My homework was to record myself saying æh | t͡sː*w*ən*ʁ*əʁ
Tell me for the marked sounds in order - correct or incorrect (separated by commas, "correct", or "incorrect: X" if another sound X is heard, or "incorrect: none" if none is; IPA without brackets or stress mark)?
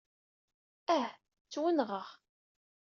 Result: correct, correct